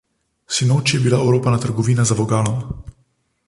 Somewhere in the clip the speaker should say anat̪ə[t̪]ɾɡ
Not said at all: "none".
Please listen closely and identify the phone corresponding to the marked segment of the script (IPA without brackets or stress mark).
none